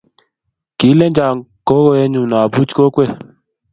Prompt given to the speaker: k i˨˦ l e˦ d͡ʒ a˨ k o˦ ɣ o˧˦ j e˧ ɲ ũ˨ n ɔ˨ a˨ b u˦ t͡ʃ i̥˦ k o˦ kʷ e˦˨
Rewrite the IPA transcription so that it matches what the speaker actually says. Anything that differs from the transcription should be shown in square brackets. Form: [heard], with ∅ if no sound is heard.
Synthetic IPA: k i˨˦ l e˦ d͡ʒ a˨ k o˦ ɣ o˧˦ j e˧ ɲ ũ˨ n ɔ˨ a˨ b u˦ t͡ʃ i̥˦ k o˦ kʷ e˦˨